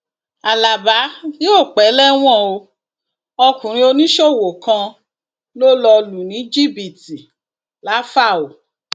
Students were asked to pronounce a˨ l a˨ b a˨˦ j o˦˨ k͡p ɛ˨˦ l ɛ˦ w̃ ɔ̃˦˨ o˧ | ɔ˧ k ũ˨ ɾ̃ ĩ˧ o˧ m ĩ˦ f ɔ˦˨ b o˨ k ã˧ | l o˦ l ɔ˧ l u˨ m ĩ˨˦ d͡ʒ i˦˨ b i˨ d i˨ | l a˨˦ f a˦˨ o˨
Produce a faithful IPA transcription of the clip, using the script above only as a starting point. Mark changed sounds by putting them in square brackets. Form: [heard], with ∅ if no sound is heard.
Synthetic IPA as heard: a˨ l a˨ b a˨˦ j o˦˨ k͡p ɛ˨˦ l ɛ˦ w̃ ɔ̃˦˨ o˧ | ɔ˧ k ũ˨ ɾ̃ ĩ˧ o˧ [n] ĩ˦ [ʃ] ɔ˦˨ [w] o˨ k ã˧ | l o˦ l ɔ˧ l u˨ [n] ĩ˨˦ d͡ʒ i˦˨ b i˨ [t] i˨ | l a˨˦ f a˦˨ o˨